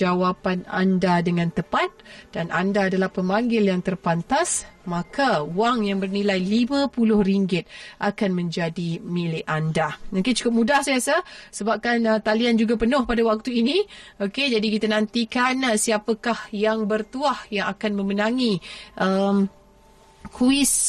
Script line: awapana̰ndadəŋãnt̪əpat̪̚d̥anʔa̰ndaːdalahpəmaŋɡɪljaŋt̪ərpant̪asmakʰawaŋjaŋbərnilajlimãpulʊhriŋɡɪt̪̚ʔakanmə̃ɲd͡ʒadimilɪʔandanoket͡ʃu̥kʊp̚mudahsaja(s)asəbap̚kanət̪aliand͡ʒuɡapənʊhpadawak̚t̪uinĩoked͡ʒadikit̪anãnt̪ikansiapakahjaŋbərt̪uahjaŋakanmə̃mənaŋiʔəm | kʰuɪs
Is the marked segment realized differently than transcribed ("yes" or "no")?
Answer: no